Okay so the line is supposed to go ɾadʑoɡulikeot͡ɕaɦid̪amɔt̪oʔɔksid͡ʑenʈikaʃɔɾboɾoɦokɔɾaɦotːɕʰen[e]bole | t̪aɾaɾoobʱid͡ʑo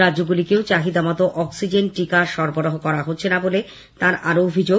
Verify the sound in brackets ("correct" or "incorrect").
incorrect